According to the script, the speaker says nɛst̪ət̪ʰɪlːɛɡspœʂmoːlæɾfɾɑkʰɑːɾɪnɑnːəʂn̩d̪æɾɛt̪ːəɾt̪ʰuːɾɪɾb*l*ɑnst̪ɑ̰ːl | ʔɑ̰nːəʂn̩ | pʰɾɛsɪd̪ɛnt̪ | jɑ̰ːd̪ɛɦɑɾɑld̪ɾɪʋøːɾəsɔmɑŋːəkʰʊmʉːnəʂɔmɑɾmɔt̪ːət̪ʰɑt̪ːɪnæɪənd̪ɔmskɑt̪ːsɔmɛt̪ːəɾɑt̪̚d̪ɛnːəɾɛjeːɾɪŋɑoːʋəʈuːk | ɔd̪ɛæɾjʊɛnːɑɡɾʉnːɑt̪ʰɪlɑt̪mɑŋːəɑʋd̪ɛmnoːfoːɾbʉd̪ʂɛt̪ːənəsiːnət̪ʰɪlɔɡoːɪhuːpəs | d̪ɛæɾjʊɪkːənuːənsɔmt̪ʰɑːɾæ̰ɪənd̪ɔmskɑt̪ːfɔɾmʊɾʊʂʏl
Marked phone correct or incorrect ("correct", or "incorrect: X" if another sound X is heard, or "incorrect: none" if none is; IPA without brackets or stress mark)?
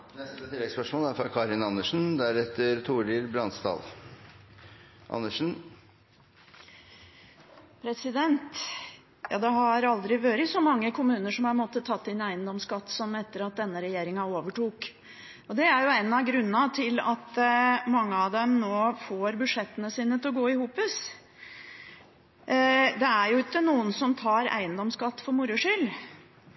incorrect: ɾ